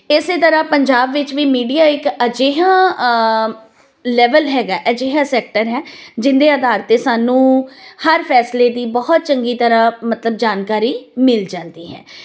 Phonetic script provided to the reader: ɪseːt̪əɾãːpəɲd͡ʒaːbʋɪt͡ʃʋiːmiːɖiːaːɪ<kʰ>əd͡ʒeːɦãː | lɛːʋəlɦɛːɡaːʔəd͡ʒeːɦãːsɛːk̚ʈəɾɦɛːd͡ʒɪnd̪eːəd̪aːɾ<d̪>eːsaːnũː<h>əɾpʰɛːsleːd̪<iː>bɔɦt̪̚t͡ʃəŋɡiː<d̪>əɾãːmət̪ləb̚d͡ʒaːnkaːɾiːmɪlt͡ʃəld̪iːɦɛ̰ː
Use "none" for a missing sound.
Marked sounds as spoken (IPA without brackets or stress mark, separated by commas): k, t̪, h, iː, t̪